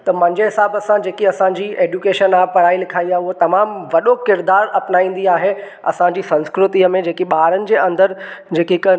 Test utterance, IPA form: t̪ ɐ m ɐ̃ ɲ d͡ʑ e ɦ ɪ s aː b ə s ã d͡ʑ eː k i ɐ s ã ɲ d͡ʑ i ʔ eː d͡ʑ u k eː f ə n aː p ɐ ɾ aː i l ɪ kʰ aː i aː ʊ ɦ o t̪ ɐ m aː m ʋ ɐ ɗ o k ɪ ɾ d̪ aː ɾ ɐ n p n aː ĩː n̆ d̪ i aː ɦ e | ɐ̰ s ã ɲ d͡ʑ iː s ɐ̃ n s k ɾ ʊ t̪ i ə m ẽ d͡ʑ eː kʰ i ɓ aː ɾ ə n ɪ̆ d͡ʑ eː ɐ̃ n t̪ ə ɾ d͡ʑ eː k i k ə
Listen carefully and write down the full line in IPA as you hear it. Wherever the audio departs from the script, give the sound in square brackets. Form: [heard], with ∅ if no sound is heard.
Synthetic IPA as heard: t̪ ɐ m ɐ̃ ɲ d͡ʑ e ɦ ɪ s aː b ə s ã d͡ʑ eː k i ɐ s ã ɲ d͡ʑ i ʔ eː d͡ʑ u k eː [ʃ] ə n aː p ɐ ɾ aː i l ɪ kʰ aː i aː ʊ ɦ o t̪ ɐ m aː m ʋ ɐ ɗ o k ɪ ɾ d̪ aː ɾ ɐ [∅] p n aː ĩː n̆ d̪ i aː ɦ e | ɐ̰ s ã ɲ d͡ʑ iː s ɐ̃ n s k ɾ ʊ t̪ i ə m ẽ d͡ʑ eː [k] i ɓ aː ɾ ə n ɪ̆ d͡ʑ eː ɐ̃ n [d̪] ə ɾ d͡ʑ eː k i k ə